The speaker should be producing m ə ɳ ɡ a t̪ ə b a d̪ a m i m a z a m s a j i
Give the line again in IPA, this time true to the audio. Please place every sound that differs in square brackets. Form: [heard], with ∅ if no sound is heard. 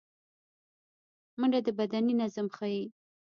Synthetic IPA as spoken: m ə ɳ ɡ a [d̪] ə b a d̪ a [n] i [n] a z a m [x] a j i